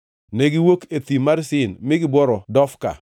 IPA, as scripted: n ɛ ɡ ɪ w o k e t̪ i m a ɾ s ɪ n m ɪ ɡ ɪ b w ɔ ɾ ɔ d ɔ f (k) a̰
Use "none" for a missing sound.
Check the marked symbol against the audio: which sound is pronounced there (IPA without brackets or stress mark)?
k